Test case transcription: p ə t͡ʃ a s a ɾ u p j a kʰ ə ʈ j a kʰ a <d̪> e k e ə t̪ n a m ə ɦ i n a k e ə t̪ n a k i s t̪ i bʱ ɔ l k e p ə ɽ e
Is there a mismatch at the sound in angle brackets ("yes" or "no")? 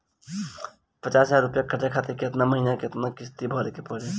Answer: yes